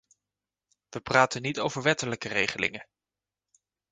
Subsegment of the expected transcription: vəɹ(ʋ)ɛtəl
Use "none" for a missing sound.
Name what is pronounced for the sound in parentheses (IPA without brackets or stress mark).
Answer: ʋ